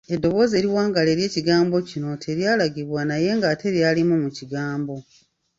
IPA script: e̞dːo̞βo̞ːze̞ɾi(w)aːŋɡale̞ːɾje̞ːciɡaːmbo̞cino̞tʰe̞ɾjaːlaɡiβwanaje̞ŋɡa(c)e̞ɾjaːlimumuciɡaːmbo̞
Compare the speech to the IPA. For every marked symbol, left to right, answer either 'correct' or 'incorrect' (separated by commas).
correct, incorrect